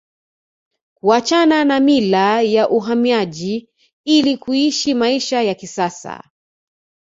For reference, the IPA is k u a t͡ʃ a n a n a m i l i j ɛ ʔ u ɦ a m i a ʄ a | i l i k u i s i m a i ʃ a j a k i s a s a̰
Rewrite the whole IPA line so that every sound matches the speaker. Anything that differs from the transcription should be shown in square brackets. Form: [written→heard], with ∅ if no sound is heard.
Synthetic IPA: k u a t͡ʃ a n a n a m i l [i→a] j [ɛ→a] ʔ u ɦ a m i a ʄ [a→i] | i l i k u i [s→ʃ] i m a i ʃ a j a k i s a s a̰